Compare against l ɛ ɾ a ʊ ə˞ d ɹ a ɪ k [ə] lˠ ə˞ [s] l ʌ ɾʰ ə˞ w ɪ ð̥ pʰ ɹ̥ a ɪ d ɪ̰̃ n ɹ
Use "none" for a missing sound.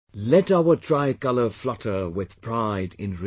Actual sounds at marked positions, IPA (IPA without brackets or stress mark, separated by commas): ʌ, f